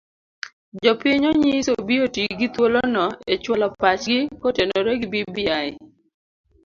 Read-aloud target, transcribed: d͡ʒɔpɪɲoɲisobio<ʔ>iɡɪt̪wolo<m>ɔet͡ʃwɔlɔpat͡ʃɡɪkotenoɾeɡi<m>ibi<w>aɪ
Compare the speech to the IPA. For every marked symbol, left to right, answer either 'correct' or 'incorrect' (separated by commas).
incorrect, incorrect, incorrect, incorrect